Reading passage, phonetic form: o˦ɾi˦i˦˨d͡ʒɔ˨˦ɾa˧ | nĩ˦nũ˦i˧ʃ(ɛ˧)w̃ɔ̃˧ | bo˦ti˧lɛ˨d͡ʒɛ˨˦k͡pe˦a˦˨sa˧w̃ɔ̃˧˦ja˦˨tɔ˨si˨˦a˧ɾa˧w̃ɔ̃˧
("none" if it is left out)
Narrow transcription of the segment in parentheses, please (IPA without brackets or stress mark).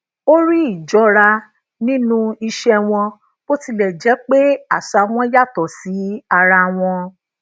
ɛ˧